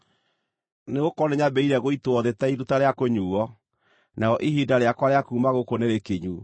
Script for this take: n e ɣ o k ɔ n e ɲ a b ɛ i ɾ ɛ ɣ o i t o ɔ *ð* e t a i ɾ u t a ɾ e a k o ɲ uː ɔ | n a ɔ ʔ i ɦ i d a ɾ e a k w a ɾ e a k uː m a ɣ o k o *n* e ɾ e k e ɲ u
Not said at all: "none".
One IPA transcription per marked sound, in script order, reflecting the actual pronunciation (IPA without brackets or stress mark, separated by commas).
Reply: ð, n